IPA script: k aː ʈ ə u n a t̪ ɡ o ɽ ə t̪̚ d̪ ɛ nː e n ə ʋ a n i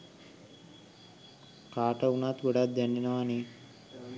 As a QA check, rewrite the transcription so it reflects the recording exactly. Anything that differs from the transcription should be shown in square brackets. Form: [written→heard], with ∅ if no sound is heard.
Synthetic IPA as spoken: k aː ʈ ə u n a t̪ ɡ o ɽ [ə→a] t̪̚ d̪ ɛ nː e n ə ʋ a n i